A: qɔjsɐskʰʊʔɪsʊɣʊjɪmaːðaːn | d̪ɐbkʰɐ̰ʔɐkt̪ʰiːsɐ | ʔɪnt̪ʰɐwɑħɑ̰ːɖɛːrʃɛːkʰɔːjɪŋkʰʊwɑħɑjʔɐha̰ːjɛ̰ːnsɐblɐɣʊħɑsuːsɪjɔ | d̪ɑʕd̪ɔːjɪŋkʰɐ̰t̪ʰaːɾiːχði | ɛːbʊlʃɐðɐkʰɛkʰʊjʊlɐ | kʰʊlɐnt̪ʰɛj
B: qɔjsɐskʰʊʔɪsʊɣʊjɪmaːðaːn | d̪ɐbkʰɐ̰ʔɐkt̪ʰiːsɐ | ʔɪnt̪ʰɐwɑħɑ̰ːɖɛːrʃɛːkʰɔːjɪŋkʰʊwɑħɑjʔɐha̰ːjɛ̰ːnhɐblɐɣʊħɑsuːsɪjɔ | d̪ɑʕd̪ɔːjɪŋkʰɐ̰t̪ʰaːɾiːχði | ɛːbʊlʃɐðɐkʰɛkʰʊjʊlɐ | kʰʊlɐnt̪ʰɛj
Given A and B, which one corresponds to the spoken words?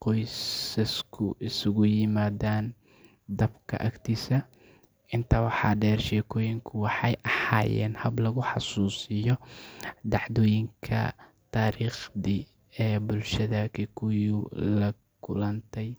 B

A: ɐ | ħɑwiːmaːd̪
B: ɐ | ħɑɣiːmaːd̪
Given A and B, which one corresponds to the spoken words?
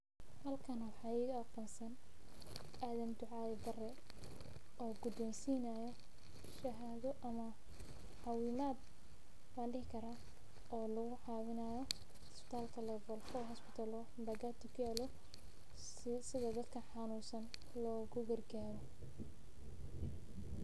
A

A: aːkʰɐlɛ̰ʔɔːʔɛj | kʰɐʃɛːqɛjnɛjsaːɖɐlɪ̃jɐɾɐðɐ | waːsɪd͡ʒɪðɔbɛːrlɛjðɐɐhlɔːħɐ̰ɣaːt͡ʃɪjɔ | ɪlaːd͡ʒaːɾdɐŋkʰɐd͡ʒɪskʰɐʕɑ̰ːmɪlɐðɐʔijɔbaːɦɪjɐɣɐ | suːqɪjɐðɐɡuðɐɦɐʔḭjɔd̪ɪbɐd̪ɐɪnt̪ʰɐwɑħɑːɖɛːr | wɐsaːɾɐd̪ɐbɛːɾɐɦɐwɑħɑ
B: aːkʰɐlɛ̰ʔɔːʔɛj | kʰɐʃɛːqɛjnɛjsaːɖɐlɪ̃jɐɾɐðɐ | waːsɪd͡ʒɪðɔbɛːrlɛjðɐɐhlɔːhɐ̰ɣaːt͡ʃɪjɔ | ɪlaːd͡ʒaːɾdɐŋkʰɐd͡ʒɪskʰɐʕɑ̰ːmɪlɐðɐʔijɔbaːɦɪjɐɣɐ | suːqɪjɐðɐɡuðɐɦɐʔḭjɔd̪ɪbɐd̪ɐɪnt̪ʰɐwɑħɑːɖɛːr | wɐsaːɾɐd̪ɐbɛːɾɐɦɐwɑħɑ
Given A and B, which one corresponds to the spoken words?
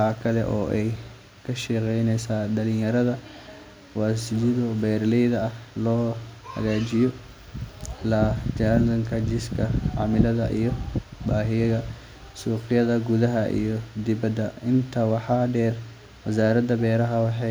B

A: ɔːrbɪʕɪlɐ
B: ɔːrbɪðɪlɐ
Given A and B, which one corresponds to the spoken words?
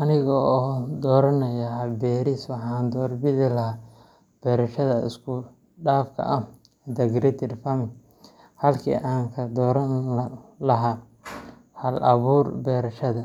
A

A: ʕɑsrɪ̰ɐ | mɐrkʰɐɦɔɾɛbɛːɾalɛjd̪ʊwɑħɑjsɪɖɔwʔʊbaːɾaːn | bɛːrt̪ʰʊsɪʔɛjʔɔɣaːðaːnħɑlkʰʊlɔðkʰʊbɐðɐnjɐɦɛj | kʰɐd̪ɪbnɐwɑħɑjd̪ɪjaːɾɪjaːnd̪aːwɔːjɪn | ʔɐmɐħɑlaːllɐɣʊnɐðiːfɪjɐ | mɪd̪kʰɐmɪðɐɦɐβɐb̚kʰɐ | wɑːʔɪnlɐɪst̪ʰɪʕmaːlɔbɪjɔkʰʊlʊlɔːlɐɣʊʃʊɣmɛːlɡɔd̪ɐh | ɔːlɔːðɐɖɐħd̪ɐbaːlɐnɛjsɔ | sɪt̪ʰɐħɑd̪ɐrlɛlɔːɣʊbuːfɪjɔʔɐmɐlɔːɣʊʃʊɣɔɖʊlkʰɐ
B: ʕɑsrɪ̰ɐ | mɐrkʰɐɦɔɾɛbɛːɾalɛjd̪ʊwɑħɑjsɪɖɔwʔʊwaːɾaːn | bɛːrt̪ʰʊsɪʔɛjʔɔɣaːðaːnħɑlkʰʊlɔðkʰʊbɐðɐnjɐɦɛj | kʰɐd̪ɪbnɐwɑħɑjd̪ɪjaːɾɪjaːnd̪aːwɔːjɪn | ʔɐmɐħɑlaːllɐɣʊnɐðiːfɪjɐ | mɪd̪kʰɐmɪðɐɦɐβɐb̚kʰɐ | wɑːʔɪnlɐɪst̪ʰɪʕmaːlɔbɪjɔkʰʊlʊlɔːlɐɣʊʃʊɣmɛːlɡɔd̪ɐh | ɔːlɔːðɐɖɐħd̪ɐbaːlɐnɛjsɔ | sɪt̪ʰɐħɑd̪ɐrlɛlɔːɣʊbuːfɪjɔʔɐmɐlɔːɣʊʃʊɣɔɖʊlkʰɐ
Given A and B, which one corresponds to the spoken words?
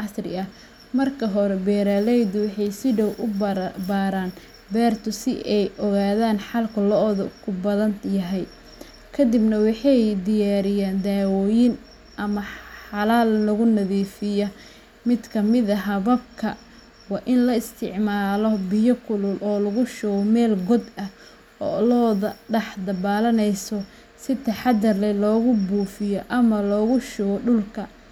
A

